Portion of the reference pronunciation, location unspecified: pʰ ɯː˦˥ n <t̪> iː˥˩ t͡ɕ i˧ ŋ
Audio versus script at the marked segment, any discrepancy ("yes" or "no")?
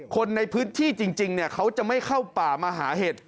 yes